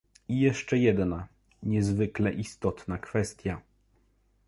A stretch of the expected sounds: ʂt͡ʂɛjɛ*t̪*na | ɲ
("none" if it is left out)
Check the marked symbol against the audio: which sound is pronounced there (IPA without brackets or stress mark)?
d̪